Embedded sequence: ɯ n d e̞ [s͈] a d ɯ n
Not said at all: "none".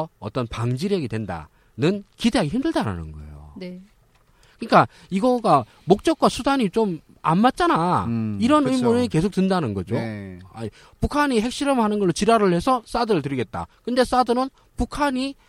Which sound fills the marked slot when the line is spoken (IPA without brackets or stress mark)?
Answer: s͈